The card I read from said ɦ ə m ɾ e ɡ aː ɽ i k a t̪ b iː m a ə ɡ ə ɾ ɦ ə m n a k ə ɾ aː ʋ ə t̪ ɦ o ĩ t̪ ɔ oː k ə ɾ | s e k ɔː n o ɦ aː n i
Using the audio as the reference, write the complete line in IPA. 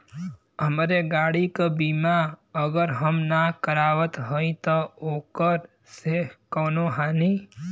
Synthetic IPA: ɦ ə m ɾ e ɡ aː ɽ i k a b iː m a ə ɡ ə ɾ ɦ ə m n a k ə ɾ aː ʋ ə t̪ ɦ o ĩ t̪ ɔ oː k ə ɾ | s e k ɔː n o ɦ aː n i